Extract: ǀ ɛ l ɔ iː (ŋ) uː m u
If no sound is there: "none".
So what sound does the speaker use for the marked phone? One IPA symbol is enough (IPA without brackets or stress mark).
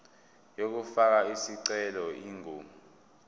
ŋ